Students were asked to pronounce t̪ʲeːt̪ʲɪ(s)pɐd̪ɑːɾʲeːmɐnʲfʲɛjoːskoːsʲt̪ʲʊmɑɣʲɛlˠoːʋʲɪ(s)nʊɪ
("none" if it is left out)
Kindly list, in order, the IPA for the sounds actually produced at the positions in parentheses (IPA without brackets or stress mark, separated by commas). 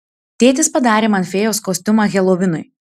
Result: s, none